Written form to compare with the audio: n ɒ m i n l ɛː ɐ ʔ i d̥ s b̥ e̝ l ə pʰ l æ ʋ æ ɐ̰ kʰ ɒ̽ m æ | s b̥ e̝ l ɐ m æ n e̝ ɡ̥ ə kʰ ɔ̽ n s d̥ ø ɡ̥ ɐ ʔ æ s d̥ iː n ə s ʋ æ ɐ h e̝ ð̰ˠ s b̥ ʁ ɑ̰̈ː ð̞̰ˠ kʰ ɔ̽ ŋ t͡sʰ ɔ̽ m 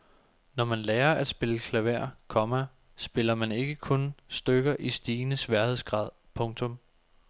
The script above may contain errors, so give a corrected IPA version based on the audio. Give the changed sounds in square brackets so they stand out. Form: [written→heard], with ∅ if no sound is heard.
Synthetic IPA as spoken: n ɒ m [i→æ] n l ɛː ɐ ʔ [i→æ] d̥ s b̥ e̝ l ə [pʰ→kʰ] l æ ʋ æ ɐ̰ kʰ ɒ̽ m æ | s b̥ e̝ l ɐ m æ n e̝ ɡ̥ ə kʰ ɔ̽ n s d̥ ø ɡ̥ ɐ ʔ [æ→i] s d̥ iː n ə s ʋ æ ɐ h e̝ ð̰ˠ s [b̥→ɡ̥] ʁ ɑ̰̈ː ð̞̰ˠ [kʰ→pʰ] ɔ̽ ŋ t͡sʰ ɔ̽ m